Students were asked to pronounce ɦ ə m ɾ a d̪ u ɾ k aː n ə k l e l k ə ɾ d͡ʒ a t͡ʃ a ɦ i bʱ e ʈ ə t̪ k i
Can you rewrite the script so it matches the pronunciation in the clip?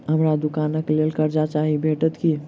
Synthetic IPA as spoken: ɦ ə m ɾ a d̪ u k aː n ə k l e l k ə ɾ d͡ʒ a t͡ʃ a ɦ i bʱ e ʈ ə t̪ k i